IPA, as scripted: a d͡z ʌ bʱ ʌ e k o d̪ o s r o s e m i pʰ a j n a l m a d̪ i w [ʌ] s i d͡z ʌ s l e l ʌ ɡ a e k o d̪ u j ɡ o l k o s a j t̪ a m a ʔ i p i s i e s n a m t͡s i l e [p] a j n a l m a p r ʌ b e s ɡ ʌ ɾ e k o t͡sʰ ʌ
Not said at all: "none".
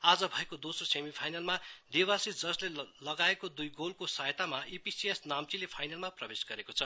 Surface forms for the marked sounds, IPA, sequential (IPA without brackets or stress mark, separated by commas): a, pʰ